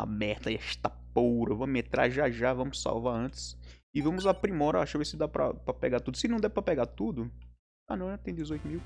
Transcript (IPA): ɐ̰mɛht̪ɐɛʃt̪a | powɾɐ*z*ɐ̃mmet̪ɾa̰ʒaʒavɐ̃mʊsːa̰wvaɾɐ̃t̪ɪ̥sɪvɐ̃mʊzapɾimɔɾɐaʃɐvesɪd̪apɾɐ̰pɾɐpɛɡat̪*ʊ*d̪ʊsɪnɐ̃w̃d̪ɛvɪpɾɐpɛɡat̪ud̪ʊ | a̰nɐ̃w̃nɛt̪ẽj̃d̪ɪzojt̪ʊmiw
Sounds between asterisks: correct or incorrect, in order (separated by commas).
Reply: incorrect, incorrect